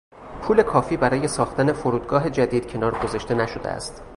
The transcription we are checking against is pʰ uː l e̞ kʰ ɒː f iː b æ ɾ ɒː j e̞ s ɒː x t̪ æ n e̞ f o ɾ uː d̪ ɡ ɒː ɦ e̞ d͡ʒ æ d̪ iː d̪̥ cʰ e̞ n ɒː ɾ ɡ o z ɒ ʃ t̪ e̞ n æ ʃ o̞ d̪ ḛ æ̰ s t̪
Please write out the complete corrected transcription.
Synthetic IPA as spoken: pʰ uː l e̞ kʰ ɒː f iː b æ ɾ ɒː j e̞ s ɒː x t̪ æ n e̞ f o ɾ uː d̪ ɡ ɒː ɦ e̞ d͡ʒ æ d̪ iː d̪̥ cʰ e̞ n ɒː ɾ ɡ o z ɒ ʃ t̪ e̞ n æ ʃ o̞ d̪ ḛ æ̰ s t̪